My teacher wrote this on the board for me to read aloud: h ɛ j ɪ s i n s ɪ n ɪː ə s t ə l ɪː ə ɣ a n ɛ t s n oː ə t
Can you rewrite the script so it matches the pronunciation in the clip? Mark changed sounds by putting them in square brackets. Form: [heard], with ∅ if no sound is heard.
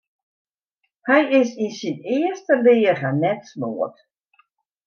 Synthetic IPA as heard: h ɛ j ɪ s i n s [i] n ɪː ə s t ə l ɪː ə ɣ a n ɛ t s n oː ə t